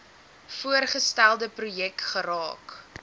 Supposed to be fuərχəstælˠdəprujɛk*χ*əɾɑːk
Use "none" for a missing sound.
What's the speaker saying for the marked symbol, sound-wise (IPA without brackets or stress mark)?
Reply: χ